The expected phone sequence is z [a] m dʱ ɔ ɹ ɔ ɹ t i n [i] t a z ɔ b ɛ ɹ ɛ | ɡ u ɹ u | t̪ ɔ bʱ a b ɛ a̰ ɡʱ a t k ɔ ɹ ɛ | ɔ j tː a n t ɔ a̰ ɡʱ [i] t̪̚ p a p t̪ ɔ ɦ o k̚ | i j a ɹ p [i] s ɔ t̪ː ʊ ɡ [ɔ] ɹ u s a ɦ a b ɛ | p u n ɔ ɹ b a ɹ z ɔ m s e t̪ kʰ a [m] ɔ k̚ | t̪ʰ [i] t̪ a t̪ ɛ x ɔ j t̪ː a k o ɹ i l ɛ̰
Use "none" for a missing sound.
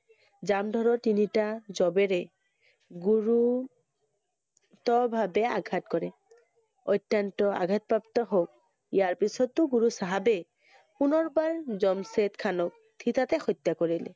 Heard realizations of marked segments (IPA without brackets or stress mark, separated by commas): a, i, a, i, u, n, i